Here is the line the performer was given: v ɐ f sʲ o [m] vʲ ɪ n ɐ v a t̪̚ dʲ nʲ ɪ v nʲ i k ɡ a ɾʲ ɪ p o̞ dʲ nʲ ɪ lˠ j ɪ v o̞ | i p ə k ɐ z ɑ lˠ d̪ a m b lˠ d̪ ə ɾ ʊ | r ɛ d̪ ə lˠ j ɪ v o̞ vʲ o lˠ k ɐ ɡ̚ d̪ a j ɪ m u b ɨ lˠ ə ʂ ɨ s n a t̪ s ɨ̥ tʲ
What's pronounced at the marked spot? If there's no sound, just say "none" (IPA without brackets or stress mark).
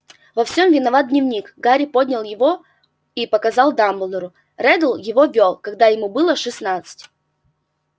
m